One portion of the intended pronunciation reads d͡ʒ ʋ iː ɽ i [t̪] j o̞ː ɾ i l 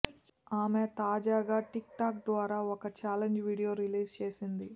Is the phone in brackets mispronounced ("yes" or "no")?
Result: yes